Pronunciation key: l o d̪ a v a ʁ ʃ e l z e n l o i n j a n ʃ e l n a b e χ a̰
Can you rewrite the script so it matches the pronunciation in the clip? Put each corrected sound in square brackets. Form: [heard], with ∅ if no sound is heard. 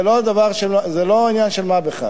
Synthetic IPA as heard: l o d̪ a v a ʁ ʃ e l z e [∅] l o i n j a n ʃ e l [m] a b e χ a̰